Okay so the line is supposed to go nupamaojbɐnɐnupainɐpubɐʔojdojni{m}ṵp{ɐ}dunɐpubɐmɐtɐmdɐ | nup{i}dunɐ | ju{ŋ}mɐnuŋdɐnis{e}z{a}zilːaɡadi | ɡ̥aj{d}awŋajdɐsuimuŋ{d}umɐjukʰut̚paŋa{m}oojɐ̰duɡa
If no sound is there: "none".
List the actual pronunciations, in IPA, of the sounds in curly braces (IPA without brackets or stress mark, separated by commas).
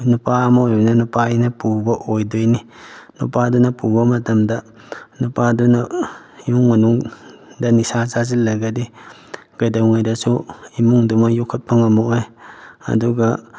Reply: n, a, a, ŋ, a, a, d, d, m